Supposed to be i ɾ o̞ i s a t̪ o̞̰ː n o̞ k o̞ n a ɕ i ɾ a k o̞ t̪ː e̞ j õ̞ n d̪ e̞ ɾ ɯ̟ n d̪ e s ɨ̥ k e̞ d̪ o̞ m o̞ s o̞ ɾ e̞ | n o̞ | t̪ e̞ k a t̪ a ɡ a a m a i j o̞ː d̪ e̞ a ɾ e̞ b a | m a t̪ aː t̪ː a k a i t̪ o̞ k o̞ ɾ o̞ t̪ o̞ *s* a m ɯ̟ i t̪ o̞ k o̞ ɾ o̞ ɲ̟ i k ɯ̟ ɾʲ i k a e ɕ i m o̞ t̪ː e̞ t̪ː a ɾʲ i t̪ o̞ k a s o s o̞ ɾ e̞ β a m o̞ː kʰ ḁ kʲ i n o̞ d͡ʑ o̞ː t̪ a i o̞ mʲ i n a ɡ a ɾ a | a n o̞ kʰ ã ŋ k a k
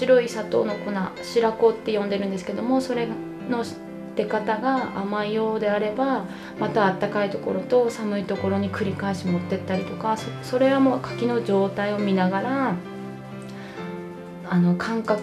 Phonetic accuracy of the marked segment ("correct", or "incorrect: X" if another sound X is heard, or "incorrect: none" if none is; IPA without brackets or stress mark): correct